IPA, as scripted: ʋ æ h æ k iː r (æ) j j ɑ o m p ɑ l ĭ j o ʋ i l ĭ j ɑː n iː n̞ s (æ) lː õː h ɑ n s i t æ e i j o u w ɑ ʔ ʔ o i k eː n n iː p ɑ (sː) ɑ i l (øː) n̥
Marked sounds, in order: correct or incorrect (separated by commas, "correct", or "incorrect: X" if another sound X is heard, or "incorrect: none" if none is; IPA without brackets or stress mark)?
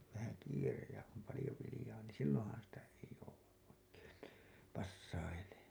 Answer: incorrect: e, incorrect: i, correct, incorrect: eː